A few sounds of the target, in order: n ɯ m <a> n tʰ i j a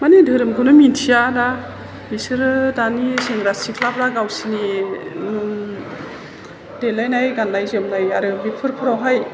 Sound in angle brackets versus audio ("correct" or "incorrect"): incorrect